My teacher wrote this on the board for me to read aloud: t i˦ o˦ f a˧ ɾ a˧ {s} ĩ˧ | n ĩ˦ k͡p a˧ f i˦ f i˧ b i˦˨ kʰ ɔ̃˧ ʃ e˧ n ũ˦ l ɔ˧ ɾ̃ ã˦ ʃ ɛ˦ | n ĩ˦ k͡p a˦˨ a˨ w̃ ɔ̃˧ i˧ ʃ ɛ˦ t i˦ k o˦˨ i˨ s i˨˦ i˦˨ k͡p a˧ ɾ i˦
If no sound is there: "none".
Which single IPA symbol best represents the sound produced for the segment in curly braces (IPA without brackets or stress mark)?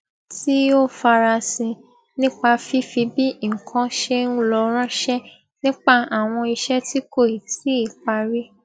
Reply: s